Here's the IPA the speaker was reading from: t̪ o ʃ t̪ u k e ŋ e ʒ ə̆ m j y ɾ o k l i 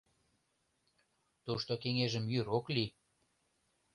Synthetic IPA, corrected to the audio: t̪ u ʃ t̪ o k e ŋ e ʒ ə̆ m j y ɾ o k l i